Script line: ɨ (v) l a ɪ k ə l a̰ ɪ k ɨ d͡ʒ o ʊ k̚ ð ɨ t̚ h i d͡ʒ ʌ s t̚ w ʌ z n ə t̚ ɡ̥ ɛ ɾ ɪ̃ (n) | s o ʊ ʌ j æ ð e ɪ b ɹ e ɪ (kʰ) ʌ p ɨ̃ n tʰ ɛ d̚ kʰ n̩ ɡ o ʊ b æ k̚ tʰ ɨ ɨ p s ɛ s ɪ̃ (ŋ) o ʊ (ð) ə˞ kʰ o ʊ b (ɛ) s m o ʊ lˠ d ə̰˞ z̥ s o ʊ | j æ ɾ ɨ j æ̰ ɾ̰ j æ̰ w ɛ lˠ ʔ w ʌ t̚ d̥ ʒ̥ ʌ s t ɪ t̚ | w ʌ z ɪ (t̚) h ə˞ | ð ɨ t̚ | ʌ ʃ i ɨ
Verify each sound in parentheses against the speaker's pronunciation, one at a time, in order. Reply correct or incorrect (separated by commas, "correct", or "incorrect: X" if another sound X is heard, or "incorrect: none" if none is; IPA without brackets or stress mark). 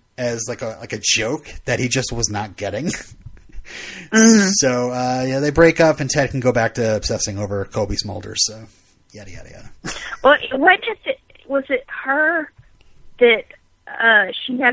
incorrect: z, incorrect: ŋ, incorrect: k, correct, incorrect: v, incorrect: i, correct